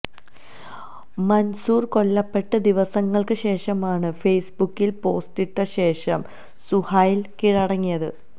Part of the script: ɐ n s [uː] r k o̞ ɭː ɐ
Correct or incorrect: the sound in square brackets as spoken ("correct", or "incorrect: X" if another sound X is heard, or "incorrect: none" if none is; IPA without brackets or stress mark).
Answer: correct